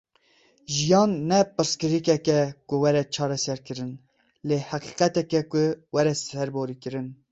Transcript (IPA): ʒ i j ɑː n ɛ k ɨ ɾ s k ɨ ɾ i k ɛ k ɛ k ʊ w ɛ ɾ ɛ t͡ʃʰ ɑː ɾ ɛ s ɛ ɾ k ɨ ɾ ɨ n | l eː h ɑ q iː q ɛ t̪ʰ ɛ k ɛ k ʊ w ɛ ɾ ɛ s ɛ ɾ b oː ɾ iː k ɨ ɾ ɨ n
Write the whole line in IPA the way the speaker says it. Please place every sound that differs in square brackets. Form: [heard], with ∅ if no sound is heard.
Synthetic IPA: ʒ i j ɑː [nː] ɛ [p] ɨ ɾ s k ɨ ɾ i k ɛ k ɛ k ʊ w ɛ ɾ ɛ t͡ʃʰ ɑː ɾ ɛ s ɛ ɾ k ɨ ɾ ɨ n | l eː h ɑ q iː q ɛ [t̪] ɛ k ɛ k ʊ w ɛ ɾ ɛ s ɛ ɾ b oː ɾ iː k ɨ ɾ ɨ n

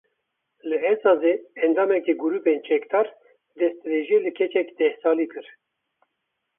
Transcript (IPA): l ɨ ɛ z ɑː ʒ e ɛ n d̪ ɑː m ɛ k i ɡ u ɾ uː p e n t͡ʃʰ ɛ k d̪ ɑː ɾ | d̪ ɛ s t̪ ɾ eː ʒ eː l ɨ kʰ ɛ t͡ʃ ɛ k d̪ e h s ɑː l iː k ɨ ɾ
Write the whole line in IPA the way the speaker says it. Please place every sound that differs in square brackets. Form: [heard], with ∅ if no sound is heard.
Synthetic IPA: l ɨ ɛ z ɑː [z] e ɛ n d̪ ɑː m ɛ k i ɡ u ɾ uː p e n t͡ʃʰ ɛ k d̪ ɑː ɾ | d̪ ɛ s t̪ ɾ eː ʒ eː l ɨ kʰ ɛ t͡ʃ ɛ k d̪ [ɛ] h s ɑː l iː k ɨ ɾ

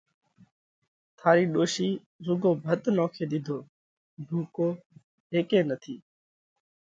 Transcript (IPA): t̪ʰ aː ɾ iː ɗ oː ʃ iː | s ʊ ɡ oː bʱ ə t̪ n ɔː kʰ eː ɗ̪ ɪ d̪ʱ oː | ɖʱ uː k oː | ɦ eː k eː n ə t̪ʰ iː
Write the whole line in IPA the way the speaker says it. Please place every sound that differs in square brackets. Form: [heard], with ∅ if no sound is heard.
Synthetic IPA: t̪ʰ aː ɾ iː ɗ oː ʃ iː | [z] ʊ ɡ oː bʱ ə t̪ n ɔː kʰ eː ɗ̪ ɪ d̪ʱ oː | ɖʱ uː k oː | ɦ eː k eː n ə t̪ʰ iː

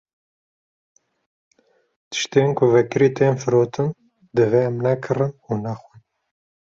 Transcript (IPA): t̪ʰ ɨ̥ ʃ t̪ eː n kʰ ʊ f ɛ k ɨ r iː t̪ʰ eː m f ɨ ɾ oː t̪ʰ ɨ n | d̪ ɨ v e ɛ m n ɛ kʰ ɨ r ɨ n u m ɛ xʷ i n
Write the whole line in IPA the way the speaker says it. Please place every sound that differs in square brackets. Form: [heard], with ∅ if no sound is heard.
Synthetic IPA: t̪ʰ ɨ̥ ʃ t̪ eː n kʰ ʊ [v] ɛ k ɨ [ɾ] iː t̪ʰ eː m f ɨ ɾ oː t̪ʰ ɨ n | d̪ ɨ v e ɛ m n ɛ kʰ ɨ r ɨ n u [n] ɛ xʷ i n

